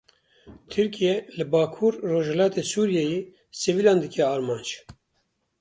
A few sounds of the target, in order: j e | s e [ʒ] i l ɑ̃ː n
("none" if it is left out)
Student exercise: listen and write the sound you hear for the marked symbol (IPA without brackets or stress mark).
v